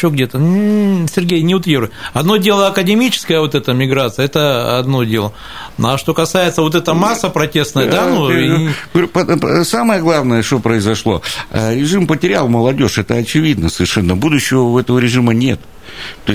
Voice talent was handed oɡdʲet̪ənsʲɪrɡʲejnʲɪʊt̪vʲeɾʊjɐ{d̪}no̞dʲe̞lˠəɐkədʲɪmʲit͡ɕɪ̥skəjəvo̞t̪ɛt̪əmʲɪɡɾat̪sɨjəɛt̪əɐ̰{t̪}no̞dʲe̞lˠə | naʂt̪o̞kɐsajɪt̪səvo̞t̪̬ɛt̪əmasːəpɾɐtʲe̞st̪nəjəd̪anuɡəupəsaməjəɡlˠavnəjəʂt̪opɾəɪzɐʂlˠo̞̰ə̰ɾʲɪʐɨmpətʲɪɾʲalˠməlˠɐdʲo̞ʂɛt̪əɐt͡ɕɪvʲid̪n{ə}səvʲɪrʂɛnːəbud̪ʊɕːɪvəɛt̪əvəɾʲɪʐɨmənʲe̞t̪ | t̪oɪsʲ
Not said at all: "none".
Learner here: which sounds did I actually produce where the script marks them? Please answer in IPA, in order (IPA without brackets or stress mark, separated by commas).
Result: d̪, d̪, ə